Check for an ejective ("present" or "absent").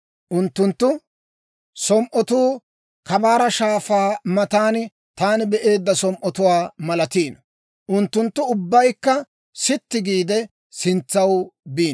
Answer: absent